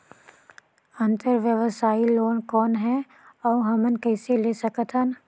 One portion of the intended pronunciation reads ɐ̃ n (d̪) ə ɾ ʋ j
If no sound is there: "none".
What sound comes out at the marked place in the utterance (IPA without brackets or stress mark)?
t̪